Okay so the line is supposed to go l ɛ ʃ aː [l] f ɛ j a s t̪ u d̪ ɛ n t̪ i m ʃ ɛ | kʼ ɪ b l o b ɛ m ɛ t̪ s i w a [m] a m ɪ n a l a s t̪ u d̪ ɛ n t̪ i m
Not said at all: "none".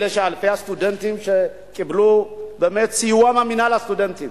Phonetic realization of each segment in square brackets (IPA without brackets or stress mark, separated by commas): l, m